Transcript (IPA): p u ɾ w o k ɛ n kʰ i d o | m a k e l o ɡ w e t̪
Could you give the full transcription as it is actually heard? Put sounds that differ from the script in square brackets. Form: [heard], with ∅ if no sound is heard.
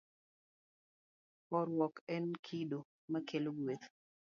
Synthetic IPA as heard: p [ɔ] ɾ w [ɔ] k ɛ n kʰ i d o | m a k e l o ɡ w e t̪